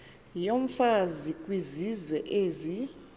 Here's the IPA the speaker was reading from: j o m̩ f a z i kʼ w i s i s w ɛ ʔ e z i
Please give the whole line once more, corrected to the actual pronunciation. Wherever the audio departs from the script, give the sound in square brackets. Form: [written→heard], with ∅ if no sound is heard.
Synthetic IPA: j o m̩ f a z i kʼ w i [s→z] i [s→z] w ɛ ʔ e z i